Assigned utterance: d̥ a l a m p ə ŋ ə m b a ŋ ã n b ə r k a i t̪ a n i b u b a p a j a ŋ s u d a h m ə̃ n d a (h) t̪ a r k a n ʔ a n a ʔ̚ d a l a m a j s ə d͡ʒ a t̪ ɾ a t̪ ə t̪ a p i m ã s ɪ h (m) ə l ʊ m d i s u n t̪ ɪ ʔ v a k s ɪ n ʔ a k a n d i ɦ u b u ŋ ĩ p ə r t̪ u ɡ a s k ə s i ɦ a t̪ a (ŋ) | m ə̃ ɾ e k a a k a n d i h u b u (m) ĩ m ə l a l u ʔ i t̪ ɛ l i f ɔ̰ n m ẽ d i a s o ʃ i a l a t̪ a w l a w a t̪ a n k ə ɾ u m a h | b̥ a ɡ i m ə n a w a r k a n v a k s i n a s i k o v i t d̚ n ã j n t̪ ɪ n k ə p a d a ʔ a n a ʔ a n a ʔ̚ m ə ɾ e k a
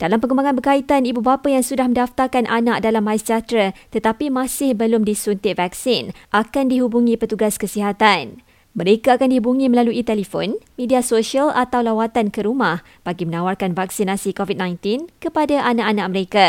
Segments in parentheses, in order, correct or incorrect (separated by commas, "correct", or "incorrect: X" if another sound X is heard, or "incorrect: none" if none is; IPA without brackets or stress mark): incorrect: f, incorrect: b, incorrect: n, incorrect: ŋ